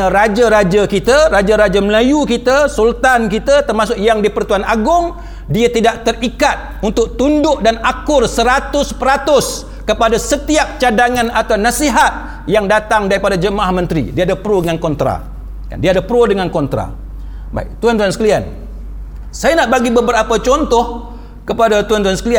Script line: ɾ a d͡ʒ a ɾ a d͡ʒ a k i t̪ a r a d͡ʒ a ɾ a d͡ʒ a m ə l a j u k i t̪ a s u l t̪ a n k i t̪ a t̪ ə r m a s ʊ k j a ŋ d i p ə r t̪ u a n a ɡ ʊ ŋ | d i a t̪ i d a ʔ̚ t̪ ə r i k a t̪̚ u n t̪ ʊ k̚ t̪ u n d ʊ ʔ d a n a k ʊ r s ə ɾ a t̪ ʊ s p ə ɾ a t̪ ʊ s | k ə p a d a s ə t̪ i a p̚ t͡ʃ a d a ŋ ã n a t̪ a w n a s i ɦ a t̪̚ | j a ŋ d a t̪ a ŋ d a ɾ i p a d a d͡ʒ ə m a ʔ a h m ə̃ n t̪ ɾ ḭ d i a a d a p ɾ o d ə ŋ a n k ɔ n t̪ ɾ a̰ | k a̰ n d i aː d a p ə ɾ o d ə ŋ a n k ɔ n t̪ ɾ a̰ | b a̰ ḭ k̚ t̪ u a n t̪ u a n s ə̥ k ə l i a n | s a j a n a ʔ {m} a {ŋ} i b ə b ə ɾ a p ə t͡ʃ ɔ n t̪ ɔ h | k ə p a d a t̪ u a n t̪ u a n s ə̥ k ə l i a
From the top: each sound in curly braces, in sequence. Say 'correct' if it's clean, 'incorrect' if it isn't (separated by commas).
incorrect, incorrect